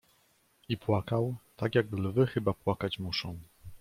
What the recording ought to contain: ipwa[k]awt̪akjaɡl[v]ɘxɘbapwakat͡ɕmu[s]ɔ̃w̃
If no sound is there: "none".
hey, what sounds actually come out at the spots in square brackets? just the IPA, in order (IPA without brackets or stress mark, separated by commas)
k, v, ʂ